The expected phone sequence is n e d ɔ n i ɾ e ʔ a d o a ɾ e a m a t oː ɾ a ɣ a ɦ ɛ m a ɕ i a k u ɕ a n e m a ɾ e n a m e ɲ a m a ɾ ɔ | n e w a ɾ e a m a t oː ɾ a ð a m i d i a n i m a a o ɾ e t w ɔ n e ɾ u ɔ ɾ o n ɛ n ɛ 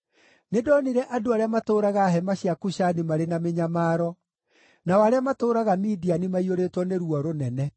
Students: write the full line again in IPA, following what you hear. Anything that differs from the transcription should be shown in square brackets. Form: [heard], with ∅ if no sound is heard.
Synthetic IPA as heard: n e d ɔ n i ɾ [ɛ] ʔ a d o a ɾ e a m a t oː ɾ a ɣ a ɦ ɛ m a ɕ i a k u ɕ a n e m a ɾ e n a m e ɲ a m a ɾ ɔ | n [a] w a ɾ e a m a t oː ɾ a [ɣ] a m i d i a n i m a [i] o ɾ e t w ɔ n e ɾ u ɔ ɾ o n ɛ n ɛ